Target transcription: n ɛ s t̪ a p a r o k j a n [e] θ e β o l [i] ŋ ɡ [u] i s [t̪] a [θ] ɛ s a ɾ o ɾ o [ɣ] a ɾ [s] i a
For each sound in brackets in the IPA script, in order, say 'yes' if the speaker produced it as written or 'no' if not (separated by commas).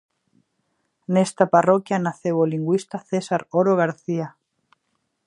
no, yes, no, yes, yes, yes, no